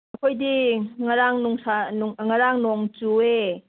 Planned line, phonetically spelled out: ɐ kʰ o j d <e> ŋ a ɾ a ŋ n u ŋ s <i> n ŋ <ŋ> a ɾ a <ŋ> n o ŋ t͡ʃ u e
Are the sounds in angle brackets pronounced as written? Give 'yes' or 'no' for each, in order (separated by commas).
no, no, yes, yes